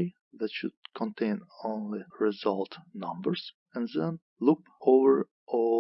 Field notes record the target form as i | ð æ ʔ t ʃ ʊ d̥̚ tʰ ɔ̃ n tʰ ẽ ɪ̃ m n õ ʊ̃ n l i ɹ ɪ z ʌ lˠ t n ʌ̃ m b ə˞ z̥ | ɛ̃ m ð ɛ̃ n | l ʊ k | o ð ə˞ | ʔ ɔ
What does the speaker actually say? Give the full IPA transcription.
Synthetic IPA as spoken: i | ð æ t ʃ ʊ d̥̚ kʰ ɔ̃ n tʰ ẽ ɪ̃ n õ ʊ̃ n l i ɹ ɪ z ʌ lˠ t n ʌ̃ m b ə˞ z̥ | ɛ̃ n ð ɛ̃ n | l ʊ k | o v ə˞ | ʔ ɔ